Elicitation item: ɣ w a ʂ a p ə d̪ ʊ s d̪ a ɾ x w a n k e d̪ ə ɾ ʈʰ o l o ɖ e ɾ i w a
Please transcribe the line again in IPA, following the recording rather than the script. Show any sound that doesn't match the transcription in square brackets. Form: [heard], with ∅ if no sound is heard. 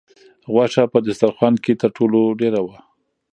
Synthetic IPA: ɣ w a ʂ a p ə d̪ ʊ s [t̪] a ɾ x w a n k e [t̪] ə ɾ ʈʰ o l o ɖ e ɾ [a] w a